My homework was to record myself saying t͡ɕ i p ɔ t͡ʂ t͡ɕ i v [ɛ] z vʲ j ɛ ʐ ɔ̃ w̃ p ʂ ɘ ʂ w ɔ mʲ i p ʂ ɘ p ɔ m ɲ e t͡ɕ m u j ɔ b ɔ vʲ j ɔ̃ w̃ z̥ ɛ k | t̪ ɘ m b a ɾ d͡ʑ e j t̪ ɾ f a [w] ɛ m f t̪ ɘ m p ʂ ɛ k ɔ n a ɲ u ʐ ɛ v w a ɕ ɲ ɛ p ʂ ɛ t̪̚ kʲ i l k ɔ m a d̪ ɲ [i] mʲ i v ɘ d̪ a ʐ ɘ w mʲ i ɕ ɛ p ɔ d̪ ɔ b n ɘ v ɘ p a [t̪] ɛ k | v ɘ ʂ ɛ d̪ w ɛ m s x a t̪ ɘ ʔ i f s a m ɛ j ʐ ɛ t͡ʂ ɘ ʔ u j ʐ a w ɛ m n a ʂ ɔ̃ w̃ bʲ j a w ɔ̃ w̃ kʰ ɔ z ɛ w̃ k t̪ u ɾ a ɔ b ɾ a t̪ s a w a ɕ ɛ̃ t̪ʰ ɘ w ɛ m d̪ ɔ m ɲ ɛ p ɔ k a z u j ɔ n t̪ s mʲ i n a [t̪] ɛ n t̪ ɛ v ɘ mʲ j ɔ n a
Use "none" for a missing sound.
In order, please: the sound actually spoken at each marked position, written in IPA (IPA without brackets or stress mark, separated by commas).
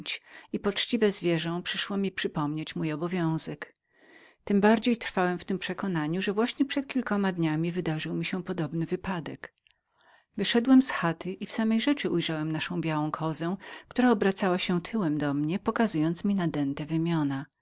ɛ, w, a, d̪, d̪